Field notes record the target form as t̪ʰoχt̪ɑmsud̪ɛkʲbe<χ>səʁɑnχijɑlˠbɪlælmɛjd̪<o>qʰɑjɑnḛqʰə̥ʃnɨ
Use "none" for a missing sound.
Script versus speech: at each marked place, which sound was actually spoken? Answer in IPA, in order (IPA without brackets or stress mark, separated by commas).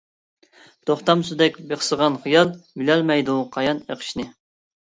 χ, u